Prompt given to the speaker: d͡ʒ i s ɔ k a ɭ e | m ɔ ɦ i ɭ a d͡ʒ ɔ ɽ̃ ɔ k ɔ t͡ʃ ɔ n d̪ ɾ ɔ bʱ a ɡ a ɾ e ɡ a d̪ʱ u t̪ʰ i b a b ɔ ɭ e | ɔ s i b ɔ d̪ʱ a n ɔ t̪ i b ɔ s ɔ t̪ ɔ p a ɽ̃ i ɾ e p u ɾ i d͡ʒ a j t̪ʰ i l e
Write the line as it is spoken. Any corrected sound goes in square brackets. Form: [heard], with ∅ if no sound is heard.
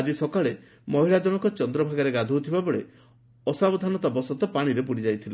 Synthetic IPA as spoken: d͡ʒ i s ɔ k a ɭ e | m ɔ ɦ i ɭ a d͡ʒ ɔ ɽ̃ ɔ k ɔ t͡ʃ ɔ n d̪ ɾ ɔ bʱ a ɡ a ɾ e ɡ a d̪ʱ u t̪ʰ i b a b ɔ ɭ e | ɔ s [a] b ɔ d̪ʱ a n ɔ t̪ [a] b ɔ s ɔ t̪ ɔ p a ɽ̃ i ɾ e p u [ɽ] i d͡ʒ a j t̪ʰ i l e